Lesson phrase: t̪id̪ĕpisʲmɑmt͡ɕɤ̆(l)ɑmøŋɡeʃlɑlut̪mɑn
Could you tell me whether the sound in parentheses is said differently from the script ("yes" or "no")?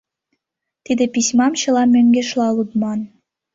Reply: no